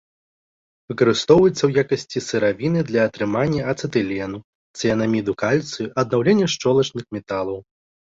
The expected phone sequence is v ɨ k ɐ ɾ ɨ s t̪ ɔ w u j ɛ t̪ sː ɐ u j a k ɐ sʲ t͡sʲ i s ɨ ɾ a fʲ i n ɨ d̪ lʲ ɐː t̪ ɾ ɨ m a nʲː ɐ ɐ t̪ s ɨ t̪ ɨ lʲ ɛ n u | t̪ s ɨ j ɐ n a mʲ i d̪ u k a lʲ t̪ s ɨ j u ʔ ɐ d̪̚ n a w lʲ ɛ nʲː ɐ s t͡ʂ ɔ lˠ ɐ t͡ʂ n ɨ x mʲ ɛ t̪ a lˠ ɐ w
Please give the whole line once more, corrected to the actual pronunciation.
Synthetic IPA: v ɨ k ɐ ɾ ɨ s t̪ ɔ w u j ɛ t̪ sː ɐ w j a k ɐ sʲ t͡sʲ i s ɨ ɾ a vʲ i n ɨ d̪ lʲ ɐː t̪ ɾ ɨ m a nʲː ɐ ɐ t̪ s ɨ t̪ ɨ lʲ ɛ n u | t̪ s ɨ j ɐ n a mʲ i d̪ u k a lʲ t̪ s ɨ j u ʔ ɐ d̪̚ n a w lʲ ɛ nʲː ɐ ʂ t͡ʂ ɔ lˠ ɐ t͡ʂ n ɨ x mʲ ɛ t̪ a lˠ ɐ w